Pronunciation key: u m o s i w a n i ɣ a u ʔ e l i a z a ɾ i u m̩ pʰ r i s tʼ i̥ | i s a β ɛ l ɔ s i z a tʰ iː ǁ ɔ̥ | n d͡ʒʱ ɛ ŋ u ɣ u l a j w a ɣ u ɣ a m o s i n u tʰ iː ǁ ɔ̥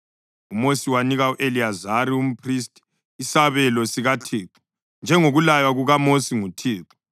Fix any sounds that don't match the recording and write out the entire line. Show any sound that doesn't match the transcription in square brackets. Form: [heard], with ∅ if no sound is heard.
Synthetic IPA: u m o s i w a n i ɣ a u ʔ e l i a z a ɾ i u m̩ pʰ r i s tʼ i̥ | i s a β ɛ l ɔ s i [ɣ] a tʰ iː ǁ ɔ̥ | n d͡ʒʱ ɛ ŋ [o] ɣ u l a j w a ɣ u ɣ a m o s i [ŋ] u tʰ iː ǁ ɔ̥